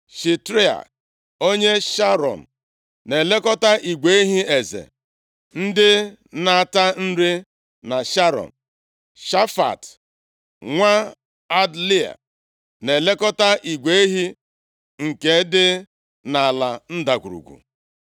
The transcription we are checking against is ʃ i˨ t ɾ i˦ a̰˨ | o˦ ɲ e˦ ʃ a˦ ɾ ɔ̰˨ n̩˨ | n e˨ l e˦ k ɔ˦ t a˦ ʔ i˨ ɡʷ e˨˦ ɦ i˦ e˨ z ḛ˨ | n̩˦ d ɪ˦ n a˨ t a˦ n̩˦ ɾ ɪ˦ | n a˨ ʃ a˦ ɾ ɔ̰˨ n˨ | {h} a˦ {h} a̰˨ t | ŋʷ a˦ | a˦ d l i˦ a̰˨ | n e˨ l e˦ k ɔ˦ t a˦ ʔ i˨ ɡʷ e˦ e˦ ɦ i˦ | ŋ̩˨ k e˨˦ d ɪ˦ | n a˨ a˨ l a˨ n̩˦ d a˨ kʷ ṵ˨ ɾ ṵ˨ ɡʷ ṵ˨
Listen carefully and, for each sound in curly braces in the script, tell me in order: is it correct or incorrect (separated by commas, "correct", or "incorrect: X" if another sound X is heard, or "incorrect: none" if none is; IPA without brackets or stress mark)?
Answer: incorrect: ʃ, incorrect: f